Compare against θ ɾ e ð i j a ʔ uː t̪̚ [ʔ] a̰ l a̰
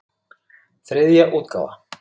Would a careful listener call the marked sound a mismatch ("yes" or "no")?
yes